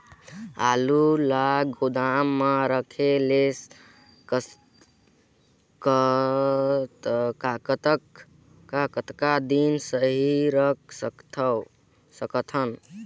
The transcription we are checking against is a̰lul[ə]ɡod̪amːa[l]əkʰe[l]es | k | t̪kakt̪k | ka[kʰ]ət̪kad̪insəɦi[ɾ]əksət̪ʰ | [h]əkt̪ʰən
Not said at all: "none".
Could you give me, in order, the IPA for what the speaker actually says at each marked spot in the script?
a, ɾ, l, k, ɾ, s

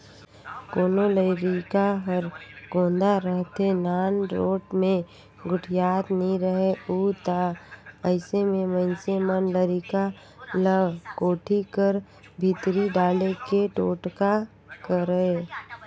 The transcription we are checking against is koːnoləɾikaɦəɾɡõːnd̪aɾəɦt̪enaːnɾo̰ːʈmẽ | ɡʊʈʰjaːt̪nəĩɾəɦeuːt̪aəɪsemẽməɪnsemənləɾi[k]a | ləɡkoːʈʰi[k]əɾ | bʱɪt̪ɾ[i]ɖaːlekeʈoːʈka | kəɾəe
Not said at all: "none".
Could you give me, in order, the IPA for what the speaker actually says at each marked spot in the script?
k, k, i

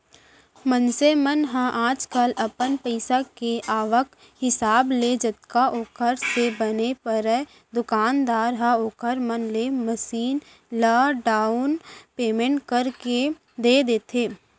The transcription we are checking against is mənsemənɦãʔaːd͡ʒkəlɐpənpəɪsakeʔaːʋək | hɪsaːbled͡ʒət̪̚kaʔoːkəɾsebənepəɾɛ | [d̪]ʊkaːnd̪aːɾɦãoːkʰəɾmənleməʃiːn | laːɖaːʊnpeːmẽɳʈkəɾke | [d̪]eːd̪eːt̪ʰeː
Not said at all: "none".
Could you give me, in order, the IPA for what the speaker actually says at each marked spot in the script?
d̪, d̪

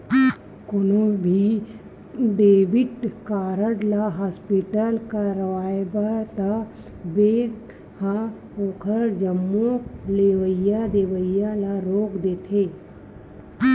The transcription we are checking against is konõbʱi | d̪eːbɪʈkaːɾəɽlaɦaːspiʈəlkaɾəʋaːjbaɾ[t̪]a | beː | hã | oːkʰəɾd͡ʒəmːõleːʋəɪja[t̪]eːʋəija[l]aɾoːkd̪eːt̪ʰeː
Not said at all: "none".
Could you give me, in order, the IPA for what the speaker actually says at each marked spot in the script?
t̪, d̪, l

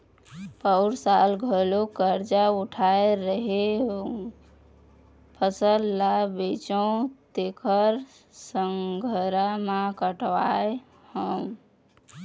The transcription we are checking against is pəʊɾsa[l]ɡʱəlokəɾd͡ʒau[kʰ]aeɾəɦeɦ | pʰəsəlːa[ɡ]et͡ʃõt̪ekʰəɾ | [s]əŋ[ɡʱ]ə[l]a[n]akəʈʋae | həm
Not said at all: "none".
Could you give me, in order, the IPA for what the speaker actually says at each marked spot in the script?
l, ʈʰ, b, s, ɡʱ, ɾ, m

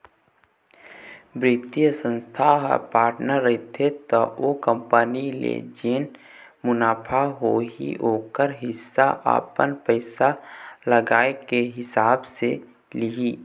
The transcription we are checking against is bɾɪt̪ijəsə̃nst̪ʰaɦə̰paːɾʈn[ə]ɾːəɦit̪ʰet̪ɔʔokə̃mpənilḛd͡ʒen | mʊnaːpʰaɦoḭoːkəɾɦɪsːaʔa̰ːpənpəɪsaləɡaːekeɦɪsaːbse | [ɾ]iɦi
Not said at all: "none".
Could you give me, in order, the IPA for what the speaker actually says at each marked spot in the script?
ə, l

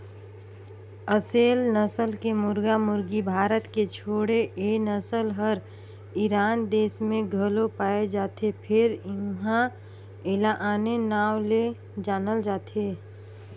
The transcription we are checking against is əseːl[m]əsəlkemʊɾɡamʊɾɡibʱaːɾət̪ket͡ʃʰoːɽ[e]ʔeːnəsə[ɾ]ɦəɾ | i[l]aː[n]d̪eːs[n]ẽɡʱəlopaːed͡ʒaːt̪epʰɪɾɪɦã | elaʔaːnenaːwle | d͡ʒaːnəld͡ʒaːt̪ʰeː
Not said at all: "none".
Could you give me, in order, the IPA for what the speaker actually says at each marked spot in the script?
n, e, l, ɾ, n, m

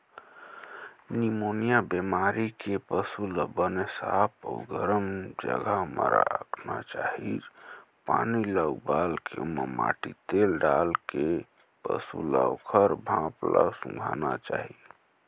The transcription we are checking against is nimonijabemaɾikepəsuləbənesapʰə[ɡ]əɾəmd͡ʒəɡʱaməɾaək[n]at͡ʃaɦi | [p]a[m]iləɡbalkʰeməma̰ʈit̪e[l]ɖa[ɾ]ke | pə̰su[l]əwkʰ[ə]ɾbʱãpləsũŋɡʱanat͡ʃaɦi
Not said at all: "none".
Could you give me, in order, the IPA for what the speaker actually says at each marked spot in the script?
ɡ, n, p, n, l, l, l, ə

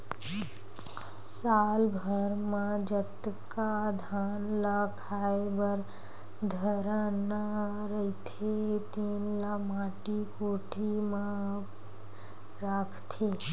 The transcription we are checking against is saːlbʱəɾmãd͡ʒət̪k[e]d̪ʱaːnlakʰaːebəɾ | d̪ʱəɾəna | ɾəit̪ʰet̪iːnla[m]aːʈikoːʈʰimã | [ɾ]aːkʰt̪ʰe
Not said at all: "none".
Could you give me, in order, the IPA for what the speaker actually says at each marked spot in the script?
a, m, ɾ

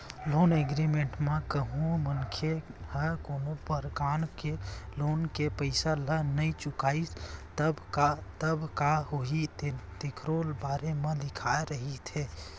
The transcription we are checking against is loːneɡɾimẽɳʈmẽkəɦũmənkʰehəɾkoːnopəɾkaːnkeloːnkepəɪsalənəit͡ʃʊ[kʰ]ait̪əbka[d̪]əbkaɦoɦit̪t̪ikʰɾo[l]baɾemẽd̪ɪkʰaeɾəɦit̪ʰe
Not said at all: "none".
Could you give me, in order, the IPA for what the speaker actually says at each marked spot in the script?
k, t̪, l

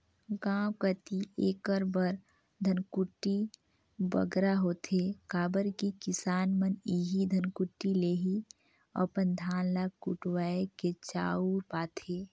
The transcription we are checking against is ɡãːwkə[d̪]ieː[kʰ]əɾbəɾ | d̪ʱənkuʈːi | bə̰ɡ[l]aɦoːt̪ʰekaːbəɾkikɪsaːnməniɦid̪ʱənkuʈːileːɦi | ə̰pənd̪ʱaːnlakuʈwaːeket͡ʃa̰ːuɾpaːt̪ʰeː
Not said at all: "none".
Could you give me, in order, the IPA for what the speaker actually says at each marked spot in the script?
t̪, k, ɾ

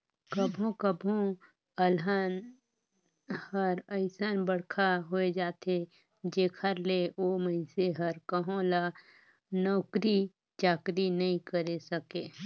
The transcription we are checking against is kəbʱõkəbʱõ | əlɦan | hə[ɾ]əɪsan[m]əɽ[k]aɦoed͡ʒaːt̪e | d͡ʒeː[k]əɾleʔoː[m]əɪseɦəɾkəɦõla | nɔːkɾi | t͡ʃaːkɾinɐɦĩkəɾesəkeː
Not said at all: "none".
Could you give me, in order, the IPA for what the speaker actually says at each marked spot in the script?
ɾ, b, kʰ, kʰ, m

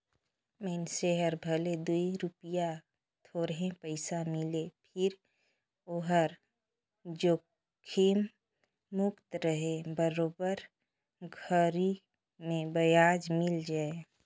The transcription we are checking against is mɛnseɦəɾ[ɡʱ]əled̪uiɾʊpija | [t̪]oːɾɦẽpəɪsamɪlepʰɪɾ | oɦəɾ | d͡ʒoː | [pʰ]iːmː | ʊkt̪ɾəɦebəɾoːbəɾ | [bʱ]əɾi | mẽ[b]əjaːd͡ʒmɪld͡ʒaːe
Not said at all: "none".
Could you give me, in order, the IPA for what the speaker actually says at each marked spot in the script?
bʱ, t̪ʰ, kʰ, ɡʱ, b

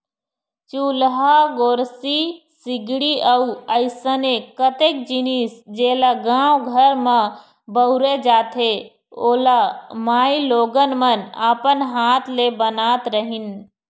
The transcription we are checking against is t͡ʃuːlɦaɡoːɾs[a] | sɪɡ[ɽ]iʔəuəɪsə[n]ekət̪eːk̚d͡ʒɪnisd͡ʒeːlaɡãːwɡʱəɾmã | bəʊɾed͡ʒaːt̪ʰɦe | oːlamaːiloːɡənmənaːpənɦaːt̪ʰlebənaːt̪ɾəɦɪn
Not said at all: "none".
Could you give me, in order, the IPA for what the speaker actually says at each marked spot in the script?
i, ɽ, n

